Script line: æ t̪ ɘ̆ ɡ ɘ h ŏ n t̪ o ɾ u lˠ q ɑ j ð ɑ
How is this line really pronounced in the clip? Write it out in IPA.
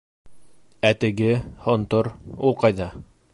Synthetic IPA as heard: æ t̪ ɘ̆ ɡ ɘ h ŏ n t̪ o ɾ u lˠ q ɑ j ð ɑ